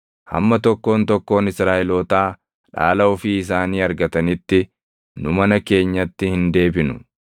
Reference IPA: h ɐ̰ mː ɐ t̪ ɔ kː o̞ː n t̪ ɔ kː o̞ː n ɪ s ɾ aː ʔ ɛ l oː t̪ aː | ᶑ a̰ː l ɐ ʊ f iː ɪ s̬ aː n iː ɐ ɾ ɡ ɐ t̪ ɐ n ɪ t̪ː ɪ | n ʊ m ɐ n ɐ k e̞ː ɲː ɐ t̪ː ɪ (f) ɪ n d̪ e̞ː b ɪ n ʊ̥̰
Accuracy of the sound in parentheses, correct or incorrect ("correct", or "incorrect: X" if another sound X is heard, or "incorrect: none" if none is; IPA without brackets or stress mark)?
incorrect: h